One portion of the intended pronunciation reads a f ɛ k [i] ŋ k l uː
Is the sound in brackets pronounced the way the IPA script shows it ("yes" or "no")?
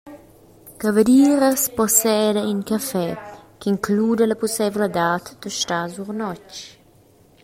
yes